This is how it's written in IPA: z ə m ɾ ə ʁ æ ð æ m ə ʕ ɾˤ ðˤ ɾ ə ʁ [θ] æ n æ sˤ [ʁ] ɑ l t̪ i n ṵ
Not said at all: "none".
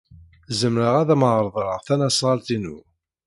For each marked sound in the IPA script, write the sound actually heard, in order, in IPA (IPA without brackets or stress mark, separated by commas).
θ, ʁ